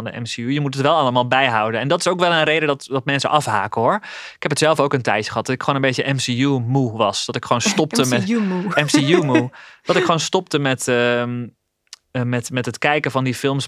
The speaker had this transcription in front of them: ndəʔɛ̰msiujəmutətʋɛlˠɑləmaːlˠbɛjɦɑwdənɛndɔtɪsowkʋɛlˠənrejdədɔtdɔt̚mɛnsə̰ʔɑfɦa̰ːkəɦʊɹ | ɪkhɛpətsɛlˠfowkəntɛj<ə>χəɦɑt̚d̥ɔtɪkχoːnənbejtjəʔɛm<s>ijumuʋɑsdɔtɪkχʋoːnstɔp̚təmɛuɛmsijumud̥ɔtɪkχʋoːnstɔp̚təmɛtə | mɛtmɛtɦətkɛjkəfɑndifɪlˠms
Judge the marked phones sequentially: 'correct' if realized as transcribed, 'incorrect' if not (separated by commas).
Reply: correct, correct